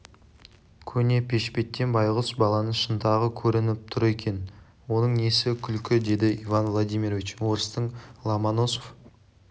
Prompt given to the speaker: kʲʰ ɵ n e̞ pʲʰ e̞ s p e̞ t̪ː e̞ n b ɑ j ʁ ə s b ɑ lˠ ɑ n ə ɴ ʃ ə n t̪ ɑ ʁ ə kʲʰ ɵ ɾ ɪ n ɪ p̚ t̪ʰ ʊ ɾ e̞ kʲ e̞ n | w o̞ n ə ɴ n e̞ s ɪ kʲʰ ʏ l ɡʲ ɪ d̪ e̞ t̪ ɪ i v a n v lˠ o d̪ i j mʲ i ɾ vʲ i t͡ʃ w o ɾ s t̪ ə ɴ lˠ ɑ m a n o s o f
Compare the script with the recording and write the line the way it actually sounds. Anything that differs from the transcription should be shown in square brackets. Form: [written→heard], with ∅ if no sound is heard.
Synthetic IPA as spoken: kʲʰ ɵ n e̞ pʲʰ e̞ [s→ʃ] p e̞ t̪ː e̞ n b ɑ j ʁ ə s b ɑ lˠ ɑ n ə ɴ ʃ ə n t̪ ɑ ʁ ə kʲʰ ɵ ɾ ɪ n ɪ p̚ t̪ʰ ʊ ɾ e̞ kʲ e̞ n | w o̞ n ə ɴ n e̞ s ɪ kʲʰ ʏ l [ɡʲ→kʲ] ɪ d̪ e̞ [t̪→d̪] ɪ i v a n v lˠ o d̪ i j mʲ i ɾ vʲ i t͡ʃ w o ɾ s t̪ ə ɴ lˠ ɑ m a n o s o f